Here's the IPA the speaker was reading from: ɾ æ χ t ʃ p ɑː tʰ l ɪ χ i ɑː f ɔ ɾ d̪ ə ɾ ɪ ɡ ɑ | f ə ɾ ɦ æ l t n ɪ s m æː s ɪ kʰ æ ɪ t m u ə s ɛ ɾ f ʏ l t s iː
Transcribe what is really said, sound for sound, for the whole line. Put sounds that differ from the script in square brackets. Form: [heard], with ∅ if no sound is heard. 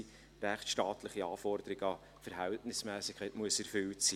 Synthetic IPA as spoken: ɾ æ χ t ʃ [t] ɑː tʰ l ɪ χ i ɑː f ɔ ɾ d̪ ə ɾ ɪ ɡ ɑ | f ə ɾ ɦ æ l t n ɪ s m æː s ɪ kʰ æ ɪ t m u ə s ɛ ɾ f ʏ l t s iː